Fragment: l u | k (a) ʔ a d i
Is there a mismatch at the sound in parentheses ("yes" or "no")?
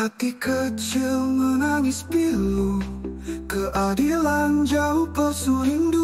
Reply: yes